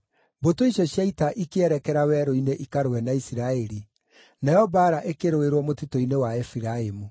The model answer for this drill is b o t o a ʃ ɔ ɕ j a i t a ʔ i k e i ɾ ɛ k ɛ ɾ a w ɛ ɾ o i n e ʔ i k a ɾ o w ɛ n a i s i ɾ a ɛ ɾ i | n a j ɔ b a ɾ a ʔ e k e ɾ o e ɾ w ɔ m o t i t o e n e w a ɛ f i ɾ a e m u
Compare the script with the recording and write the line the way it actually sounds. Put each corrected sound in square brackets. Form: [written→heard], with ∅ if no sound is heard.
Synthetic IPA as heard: b o t o [a→i] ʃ ɔ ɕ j a i t a ʔ i k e [i→ɛ] ɾ ɛ k ɛ ɾ a w ɛ ɾ o i n e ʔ i k a ɾ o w ɛ n a i s i ɾ a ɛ ɾ i | n a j ɔ b a ɾ a ʔ e k e ɾ o e ɾ w ɔ m o t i t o [e→i] n e w a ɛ f i ɾ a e m u